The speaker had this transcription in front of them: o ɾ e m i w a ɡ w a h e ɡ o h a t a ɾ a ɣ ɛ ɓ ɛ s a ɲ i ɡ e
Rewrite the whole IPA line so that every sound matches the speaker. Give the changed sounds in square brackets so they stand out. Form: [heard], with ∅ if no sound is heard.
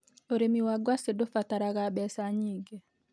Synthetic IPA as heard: o ɾ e m i w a ɡ w a [s] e [d] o [f] a t a ɾ a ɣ [a] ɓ ɛ s a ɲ i ɡ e